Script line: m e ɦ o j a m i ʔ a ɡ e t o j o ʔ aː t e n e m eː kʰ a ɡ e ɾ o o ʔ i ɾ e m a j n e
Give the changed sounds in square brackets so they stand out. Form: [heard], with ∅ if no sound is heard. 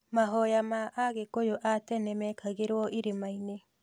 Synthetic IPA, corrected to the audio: m [a] ɦ o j a m [a] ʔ a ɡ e [k] o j o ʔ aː t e n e m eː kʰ a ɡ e ɾ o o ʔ i ɾ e m a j n e